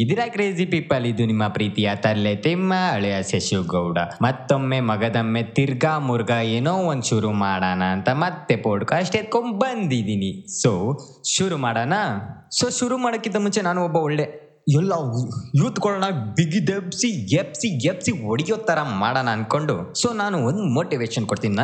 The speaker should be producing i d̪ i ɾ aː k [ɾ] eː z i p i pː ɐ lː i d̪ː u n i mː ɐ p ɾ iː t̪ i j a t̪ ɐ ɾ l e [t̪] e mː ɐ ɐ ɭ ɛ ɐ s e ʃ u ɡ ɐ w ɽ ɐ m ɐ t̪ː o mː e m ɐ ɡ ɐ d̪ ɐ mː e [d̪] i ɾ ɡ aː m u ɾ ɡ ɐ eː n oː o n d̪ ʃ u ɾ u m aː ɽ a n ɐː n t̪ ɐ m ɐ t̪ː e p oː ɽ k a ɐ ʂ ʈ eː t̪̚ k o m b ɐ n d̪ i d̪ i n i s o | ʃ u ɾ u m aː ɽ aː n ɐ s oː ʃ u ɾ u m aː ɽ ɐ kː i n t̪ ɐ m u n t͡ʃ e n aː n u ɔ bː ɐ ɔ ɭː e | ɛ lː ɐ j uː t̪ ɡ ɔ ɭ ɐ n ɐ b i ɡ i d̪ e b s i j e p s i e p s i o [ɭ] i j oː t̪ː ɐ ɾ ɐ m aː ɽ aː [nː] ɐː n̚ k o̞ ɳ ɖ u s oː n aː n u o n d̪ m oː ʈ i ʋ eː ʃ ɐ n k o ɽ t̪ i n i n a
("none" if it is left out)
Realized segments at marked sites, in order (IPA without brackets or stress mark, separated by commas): ɾ, t̪, t̪, ɽ, n